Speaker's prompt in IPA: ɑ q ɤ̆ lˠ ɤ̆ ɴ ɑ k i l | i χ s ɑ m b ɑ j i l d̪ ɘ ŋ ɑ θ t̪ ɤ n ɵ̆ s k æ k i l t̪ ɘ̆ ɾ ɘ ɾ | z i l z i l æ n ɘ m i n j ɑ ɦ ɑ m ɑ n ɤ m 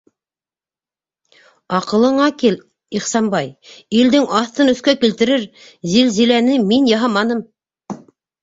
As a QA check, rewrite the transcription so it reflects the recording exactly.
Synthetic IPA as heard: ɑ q ɤ̆ lˠ ɤ̆ ɴ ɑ k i l | i χ s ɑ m b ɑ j i l d̪ ɘ ŋ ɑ θ t̪ ɤ n ɵ̆ θ k æ k i l t̪ ɘ̆ ɾ ɘ ɾ | z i l z i l æ n ɘ m i n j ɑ ɦ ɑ m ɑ n ɤ m